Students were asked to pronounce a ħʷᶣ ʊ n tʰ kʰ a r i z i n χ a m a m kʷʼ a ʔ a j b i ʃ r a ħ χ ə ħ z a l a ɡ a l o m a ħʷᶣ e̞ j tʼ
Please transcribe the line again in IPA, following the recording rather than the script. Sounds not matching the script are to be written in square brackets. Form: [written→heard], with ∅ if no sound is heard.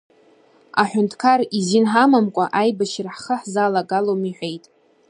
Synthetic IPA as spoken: a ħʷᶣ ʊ n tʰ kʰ a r i z i n [χ→ħ] a m a m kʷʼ a ʔ a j b [i→a] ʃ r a ħ χ ə ħ z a l a ɡ a l o m [a→i] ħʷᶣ e̞ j tʼ